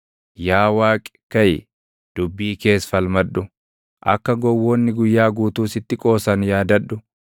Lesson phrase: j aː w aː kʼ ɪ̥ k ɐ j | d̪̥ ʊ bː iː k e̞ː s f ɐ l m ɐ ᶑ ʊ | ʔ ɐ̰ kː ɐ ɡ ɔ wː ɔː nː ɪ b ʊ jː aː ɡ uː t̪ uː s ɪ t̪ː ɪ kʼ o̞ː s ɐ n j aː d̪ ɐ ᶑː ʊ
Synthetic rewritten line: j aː w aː kʼ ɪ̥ k ɐ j | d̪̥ ʊ bː iː k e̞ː s f ɐ l m ɐ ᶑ ʊ | ʔ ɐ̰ kː ɐ ɡ ɔ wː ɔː nː ɪ ɡ ʊ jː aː ɡ uː t̪ uː s ɪ t̪ː ɪ kʼ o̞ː s ɐ n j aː d̪ ɐ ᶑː ʊ